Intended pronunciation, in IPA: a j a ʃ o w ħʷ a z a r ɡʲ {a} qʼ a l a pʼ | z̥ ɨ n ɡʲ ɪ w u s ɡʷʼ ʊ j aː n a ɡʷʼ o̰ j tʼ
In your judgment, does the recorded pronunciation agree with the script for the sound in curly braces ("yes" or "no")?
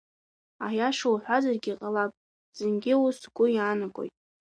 no